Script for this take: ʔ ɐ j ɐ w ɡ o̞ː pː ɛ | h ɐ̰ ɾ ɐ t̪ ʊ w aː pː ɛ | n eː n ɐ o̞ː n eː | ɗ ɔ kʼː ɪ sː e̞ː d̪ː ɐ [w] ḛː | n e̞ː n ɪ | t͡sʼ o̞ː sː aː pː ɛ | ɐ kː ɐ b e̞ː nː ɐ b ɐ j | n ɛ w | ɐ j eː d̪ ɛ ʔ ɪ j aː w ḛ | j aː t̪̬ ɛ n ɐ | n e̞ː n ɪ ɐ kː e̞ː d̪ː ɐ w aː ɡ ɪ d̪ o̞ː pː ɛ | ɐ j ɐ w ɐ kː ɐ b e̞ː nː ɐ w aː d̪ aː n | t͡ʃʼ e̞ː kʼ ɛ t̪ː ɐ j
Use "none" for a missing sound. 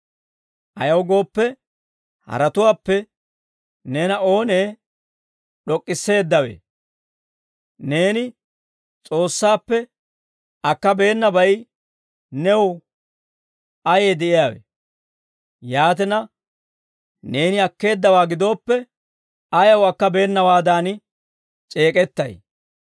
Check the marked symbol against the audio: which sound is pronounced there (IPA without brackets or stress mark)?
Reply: w